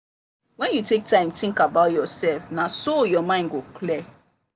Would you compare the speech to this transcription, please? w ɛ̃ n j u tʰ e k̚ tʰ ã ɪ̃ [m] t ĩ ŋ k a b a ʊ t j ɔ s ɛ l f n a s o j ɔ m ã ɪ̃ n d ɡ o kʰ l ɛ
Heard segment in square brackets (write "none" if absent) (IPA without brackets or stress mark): m